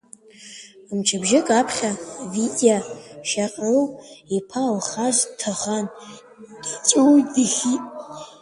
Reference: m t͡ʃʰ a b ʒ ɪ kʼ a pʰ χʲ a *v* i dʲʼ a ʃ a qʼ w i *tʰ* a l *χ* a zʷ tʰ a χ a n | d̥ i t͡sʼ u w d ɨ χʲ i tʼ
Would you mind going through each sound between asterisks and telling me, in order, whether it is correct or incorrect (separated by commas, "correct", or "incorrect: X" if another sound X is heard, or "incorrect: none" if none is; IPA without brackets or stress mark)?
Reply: correct, incorrect: pʰ, correct